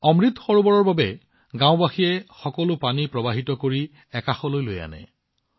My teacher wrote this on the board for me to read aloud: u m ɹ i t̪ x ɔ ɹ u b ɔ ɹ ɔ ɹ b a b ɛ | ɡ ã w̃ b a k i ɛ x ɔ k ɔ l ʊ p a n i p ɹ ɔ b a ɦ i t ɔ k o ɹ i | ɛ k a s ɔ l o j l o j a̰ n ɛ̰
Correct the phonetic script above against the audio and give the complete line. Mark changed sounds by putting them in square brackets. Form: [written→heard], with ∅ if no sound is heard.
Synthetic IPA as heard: [u→ɔ] m ɹ i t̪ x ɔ ɹ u b ɔ ɹ ɔ ɹ b a b ɛ | ɡ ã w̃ b a [k→x] i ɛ x ɔ k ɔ l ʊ p a n i p ɹ ɔ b a ɦ i t ɔ k o ɹ i | ɛ k a [s→x] ɔ l o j l o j a̰ n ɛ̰